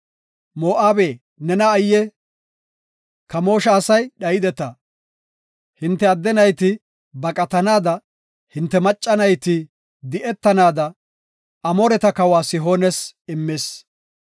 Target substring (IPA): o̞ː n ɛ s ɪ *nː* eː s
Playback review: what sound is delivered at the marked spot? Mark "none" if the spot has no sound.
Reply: mː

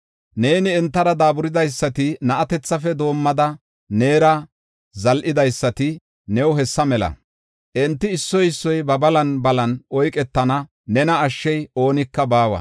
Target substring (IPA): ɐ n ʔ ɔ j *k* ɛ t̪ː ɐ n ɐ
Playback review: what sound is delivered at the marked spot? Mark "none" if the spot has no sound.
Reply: kʼ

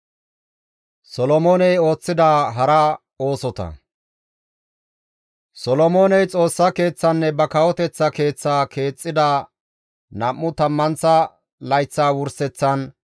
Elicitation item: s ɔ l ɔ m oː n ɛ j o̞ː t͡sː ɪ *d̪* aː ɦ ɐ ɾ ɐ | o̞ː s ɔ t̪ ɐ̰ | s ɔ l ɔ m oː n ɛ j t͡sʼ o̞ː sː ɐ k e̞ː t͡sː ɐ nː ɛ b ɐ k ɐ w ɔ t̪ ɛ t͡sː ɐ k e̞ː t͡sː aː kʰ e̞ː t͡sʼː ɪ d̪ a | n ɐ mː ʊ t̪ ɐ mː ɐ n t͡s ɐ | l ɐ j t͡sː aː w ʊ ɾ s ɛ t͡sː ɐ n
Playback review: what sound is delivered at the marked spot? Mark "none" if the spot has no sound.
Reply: d̪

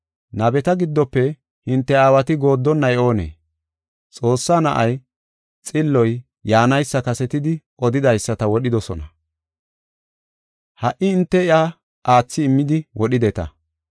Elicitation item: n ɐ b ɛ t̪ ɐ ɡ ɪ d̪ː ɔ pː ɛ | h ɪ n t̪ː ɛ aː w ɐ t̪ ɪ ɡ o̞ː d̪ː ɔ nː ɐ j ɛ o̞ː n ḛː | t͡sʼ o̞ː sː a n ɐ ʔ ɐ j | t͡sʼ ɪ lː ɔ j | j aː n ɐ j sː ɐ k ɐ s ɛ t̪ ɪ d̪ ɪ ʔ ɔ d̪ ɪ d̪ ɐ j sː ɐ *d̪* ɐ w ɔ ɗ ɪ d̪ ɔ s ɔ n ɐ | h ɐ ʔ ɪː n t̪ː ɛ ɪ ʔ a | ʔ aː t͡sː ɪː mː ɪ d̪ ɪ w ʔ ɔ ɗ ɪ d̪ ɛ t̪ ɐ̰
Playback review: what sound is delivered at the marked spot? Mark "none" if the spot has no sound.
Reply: t̪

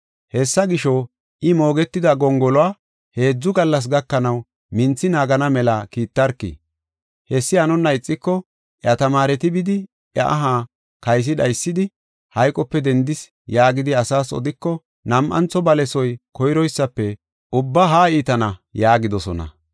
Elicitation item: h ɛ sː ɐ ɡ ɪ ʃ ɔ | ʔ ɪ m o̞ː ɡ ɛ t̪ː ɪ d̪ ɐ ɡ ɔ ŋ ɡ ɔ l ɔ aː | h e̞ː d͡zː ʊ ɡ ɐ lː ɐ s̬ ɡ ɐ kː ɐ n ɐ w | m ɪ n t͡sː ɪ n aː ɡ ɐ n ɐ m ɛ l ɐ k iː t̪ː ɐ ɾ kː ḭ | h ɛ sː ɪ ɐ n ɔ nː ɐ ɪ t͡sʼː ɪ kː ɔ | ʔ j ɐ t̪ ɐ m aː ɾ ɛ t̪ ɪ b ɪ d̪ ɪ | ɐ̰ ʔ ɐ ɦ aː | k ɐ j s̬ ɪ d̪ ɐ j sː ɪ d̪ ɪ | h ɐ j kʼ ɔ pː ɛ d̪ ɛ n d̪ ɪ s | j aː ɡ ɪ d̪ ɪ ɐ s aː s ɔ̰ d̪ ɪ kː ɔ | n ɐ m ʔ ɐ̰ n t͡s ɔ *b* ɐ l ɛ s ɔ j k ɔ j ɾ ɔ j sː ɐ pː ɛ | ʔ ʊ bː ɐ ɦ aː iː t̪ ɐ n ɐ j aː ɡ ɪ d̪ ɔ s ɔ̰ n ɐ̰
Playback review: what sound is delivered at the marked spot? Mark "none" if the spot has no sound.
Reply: b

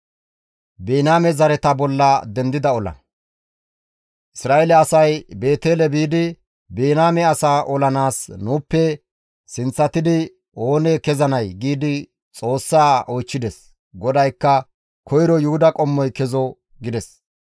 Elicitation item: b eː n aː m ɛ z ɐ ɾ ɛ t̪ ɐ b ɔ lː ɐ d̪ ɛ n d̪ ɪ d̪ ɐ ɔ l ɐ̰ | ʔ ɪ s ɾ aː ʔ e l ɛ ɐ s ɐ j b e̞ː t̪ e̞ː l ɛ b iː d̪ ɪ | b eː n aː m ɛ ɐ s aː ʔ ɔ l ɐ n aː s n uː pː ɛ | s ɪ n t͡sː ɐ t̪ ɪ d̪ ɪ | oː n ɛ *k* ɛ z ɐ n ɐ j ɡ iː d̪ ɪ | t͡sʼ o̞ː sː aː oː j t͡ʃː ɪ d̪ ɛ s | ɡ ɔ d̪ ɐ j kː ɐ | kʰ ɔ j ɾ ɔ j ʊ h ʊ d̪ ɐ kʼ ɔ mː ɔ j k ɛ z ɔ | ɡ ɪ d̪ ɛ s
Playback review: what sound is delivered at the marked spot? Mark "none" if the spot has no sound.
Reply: k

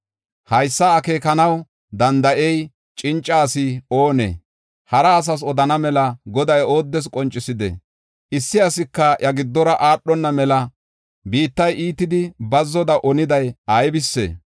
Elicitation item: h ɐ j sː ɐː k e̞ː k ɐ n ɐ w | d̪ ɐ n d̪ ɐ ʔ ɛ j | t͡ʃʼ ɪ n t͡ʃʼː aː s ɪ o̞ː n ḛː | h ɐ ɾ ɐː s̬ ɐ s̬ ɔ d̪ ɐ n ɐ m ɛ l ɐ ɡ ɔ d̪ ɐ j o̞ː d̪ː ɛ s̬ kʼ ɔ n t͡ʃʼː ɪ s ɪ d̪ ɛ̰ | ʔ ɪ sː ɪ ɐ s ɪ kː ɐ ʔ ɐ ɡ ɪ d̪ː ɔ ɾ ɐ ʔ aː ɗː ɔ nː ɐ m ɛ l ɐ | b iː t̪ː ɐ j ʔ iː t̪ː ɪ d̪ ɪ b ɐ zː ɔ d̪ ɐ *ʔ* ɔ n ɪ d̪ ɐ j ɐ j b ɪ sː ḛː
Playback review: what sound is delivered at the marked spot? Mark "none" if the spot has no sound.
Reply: ʔ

